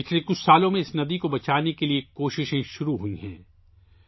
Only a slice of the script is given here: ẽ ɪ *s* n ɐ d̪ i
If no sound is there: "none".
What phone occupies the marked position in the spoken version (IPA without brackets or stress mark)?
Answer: s